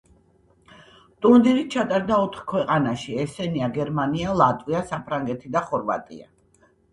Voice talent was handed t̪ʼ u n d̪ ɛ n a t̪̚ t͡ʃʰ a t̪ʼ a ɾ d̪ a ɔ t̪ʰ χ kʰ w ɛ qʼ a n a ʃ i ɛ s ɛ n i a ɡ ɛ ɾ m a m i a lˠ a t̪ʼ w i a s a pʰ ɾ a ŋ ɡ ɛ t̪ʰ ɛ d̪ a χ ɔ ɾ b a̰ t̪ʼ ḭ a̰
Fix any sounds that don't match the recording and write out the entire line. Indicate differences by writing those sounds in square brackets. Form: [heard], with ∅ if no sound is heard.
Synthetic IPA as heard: t̪ʼ u n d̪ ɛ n [i] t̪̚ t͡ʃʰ a t̪ʼ a ɾ d̪ a ɔ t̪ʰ χ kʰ w ɛ qʼ a n a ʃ i ɛ s ɛ n i a ɡ ɛ ɾ m a [n] i a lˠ a t̪ʼ w i a s a pʰ ɾ a ŋ ɡ ɛ t̪ʰ [i] d̪ a χ ɔ ɾ [v] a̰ t̪ʼ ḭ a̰